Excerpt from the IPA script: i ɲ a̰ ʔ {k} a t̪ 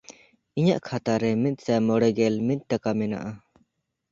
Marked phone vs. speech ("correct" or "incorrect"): incorrect